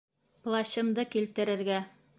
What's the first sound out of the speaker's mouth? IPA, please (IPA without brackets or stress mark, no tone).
p